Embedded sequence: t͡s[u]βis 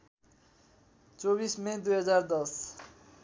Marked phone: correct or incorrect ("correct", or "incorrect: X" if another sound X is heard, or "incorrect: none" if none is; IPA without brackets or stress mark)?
incorrect: o